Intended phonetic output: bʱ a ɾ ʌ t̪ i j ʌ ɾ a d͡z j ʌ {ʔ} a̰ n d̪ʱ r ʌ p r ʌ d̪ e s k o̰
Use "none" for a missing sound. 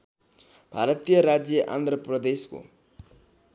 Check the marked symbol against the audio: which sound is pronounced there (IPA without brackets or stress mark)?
ʔ